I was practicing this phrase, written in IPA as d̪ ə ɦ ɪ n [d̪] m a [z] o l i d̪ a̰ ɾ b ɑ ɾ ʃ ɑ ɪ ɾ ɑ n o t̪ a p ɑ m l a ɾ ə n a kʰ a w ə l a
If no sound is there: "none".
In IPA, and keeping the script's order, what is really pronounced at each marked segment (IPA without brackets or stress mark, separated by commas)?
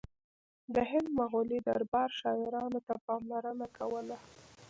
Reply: d̪, ɣ